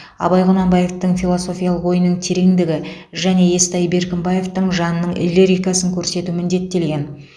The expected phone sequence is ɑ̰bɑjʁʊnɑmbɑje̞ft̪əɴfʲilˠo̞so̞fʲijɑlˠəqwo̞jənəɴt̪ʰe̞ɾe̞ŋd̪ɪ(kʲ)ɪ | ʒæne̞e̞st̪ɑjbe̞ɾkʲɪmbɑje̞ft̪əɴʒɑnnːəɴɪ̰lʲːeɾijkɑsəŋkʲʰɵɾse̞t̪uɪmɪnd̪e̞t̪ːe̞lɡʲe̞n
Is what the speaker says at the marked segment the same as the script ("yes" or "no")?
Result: no